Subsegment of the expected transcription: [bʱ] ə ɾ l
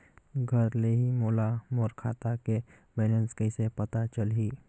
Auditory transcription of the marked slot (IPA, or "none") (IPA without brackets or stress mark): ɡʱ